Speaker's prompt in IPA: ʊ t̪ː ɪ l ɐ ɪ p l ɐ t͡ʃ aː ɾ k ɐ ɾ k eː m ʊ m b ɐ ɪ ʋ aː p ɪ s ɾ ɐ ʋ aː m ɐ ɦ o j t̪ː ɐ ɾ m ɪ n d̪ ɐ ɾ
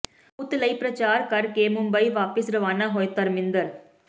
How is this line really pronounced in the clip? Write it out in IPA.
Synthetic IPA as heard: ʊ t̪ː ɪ l ɐ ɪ p ɾ ɐ t͡ʃ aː ɾ k ɐ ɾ k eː m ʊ m b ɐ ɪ ʋ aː p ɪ s ɾ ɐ ʋ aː n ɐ ɦ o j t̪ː ɐ ɾ m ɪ n d̪ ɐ ɾ